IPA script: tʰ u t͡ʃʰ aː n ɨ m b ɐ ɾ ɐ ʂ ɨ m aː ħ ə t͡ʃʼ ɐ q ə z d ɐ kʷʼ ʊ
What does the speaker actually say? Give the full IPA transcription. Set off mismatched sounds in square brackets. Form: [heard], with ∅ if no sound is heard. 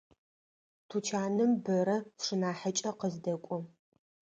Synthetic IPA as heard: tʰ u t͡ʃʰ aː n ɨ m b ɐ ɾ ɐ ʂ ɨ [n] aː ħ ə t͡ʃʼ ɐ q ə z d ɐ kʷʼ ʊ

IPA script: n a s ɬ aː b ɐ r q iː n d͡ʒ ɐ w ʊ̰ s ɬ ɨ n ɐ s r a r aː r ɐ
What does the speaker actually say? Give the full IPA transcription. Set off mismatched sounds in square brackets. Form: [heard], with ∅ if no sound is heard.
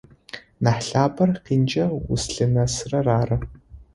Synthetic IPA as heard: n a [ħ] ɬ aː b ɐ r q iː n d͡ʒ ɐ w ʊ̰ s ɬ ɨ n ɐ s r [ɐ] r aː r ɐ

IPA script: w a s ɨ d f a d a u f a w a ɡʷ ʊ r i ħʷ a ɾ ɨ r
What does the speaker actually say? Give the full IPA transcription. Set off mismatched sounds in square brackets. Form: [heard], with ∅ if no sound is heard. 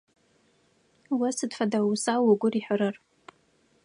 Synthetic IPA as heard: w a s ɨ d f a d a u [s] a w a ɡʷ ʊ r i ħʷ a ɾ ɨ r

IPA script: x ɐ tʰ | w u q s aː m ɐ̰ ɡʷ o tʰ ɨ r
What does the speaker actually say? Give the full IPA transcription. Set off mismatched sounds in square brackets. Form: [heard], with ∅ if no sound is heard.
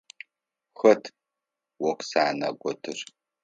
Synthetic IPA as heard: x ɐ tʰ | w [ɔ] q s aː [n] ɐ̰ ɡʷ [ɔ] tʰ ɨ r

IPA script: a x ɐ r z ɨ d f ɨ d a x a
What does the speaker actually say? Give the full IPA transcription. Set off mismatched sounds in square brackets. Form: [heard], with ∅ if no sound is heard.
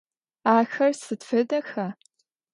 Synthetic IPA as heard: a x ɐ r [s] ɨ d f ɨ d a x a

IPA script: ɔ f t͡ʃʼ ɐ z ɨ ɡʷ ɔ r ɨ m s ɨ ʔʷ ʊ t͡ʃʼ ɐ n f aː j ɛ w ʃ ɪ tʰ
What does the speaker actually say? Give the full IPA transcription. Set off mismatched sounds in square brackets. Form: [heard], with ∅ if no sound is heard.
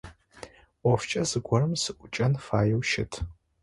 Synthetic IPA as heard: ɔ f t͡ʃʼ ɐ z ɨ ɡʷ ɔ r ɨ m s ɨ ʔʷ ʊ t͡ʃʼ ɐ n f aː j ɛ w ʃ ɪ tʰ

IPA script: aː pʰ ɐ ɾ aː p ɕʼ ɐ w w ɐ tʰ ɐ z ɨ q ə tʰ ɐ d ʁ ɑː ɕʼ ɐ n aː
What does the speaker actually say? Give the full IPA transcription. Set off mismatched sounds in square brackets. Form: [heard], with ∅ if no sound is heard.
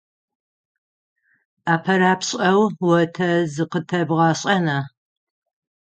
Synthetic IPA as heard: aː pʰ ɐ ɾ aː p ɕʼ ɐ w w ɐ tʰ ɐ z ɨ q ə tʰ ɐ [b] ʁ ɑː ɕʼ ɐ n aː

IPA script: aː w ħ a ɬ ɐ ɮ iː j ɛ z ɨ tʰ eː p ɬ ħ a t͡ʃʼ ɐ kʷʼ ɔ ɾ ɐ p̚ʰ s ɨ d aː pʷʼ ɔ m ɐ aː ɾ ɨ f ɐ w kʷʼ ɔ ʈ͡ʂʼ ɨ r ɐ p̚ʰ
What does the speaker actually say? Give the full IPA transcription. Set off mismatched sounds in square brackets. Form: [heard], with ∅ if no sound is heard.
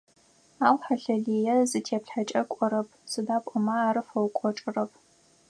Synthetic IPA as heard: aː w ħ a ɬ ɐ ɮ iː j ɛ z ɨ tʰ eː p ɬ ħ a t͡ʃʼ ɐ kʷʼ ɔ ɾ ɐ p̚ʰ s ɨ d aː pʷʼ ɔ m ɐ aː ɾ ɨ f ɐ w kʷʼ ɔ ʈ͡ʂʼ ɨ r ɐ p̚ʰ

